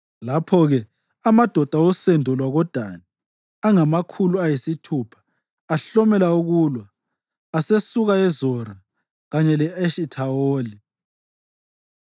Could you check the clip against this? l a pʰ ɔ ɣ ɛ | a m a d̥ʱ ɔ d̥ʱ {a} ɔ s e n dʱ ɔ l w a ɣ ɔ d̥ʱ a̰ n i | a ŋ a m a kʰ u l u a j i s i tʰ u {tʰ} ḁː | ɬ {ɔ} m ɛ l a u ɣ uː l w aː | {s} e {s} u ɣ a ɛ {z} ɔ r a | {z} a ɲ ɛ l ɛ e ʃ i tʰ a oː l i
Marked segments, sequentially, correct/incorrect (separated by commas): correct, incorrect, correct, correct, correct, correct, incorrect